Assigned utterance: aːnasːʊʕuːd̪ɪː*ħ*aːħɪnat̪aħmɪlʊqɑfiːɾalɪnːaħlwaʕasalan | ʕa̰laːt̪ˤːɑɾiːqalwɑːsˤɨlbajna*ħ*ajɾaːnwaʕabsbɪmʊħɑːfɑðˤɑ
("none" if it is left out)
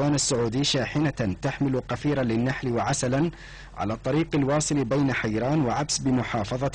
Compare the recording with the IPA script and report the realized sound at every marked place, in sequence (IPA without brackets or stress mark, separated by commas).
ʃ, ħ